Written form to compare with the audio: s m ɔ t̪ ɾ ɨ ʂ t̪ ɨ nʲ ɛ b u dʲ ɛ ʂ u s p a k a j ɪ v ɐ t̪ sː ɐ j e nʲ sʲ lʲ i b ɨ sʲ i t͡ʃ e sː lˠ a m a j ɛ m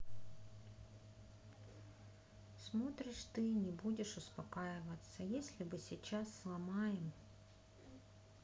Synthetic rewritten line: s m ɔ t̪ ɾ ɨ ʂ t̪ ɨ nʲ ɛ b u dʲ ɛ ʂ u s p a k a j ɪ v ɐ t̪ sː ɐ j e sʲ lʲ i b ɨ sʲ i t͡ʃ a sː lˠ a m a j ɛ m